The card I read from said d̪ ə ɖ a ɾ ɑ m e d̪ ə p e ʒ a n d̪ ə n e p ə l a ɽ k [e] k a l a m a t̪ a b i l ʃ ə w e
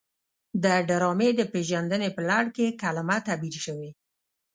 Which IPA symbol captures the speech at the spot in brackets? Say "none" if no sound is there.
e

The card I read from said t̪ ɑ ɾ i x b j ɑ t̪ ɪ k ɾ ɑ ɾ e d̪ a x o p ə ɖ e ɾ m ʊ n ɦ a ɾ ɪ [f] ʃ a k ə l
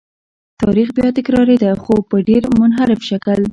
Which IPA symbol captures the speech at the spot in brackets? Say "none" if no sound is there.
f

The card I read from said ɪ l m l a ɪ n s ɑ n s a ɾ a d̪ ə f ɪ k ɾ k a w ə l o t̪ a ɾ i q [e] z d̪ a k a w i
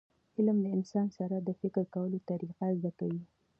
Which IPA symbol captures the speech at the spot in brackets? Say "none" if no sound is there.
a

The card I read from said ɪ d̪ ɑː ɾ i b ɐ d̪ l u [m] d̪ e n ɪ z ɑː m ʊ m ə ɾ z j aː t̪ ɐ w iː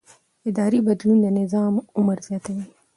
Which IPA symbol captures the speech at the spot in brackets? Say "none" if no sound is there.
n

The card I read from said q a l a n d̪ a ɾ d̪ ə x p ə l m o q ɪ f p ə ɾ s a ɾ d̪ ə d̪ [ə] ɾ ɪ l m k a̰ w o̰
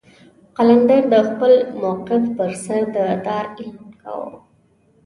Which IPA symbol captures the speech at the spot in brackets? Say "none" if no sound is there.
ɑ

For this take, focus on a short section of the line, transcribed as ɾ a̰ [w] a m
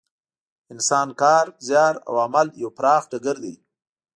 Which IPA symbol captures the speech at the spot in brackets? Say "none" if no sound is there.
w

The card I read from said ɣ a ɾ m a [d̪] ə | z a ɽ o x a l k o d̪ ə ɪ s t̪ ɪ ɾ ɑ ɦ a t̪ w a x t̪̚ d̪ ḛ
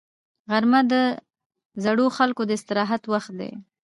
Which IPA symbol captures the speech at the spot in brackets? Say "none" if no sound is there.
d̪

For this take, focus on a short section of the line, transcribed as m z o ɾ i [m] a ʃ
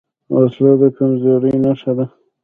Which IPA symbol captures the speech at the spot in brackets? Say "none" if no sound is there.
n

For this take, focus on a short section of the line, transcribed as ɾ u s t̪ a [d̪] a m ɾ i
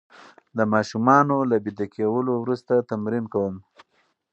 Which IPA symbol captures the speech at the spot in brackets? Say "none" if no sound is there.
t̪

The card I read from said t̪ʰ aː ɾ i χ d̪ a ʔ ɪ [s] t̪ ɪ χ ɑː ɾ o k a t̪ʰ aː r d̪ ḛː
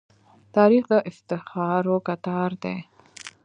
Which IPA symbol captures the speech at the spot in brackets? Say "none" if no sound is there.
f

